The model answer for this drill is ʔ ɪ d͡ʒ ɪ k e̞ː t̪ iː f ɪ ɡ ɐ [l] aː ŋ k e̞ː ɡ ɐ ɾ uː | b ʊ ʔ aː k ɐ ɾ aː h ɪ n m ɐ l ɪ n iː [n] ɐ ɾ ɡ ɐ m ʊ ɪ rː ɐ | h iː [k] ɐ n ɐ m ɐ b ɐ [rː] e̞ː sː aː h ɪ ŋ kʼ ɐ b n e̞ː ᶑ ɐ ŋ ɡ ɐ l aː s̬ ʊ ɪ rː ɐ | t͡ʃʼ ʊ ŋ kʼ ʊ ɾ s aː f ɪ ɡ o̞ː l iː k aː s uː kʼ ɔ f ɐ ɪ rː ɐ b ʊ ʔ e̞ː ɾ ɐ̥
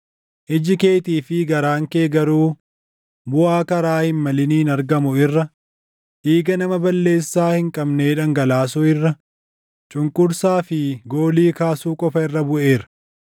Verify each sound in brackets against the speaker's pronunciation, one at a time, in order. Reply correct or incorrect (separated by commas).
incorrect, correct, incorrect, incorrect